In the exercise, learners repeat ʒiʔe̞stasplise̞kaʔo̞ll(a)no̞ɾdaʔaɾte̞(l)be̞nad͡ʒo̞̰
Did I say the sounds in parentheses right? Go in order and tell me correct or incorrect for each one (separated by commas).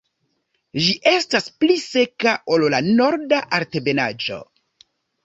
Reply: correct, incorrect